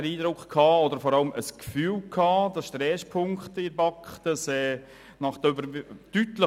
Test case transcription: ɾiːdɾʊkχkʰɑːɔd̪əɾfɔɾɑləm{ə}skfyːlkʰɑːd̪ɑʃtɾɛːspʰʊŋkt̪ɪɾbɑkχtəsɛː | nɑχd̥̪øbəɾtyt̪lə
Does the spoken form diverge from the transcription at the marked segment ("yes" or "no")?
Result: no